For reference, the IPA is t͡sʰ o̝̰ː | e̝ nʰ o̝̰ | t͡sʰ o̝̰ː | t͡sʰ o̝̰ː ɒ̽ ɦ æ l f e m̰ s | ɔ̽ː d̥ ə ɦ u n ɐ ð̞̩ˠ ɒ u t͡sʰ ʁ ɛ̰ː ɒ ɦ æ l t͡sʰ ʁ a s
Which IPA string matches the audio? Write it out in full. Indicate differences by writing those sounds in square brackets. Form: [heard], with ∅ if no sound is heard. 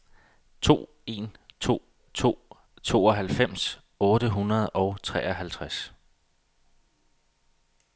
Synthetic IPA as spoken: t͡sʰ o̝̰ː | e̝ nʰ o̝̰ | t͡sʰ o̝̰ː | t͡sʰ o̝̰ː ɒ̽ ɦ æ l f e m̰ s | ɔ̽ː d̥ ə ɦ u n ɐ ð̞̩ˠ ɒ [ʊ] t͡sʰ ʁ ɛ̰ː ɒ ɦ æ l t͡sʰ ʁ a s